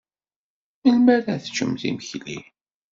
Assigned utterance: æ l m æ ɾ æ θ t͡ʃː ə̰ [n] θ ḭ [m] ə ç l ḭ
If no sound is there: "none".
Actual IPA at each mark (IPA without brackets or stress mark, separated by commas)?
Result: m, m